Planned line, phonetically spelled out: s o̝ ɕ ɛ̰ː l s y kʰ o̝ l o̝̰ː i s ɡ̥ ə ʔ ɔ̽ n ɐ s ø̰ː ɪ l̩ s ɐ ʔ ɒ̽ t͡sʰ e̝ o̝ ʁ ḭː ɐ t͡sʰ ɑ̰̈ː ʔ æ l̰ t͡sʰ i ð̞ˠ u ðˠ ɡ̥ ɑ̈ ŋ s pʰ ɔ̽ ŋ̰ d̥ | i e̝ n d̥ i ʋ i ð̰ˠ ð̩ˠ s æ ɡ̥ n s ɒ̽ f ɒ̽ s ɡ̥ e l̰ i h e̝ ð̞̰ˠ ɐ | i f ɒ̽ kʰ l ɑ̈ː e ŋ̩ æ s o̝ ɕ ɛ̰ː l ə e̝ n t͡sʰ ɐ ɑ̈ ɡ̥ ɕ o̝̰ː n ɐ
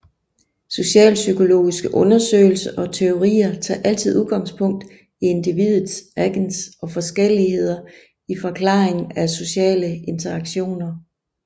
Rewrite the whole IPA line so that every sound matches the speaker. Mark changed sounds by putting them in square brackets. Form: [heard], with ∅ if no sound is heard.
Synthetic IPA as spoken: s o̝ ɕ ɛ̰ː l s y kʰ o̝ l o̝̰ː i s ɡ̥ ə ʔ ɔ̽ n ɐ s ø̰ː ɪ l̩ s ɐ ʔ ɒ̽ t͡sʰ e̝ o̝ ʁ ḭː ɐ t͡sʰ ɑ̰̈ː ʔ æ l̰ t͡sʰ i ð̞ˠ u ðˠ ɡ̥ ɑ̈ ŋ s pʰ ɔ̽ ŋ̰ d̥ | i e̝ n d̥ i ʋ i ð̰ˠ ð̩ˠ s æ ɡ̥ n s ɒ̽ f ɒ̽ s ɡ̥ e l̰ i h e̝ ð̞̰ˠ ɐ | i f ɒ̽ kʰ l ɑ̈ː e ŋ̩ æ s o̝ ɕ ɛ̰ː l ə e̝ n t͡sʰ ɐ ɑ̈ ɡ̥ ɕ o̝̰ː n ɐ